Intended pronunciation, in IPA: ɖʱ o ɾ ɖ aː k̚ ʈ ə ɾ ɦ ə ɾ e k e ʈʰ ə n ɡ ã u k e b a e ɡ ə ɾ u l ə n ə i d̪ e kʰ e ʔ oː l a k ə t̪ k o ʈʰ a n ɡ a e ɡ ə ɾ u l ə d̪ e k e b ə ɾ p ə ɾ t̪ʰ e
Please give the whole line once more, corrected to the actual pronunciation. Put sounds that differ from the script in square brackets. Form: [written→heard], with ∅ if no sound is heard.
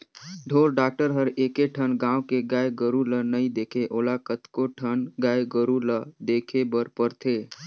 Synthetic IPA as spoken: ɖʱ o ɾ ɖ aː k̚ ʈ ə ɾ ɦ ə ɾ e k e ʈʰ ə n ɡ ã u k e [b→ɡ] a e ɡ ə ɾ u l ə n ə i d̪ e kʰ e ʔ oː l a k ə t̪ k o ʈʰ [a→ə] n ɡ a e ɡ ə ɾ u l ə d̪ e [k→kʰ] e b ə ɾ p ə ɾ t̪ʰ e